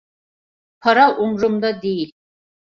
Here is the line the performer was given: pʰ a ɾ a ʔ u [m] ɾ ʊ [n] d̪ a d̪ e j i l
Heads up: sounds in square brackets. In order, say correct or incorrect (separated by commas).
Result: correct, incorrect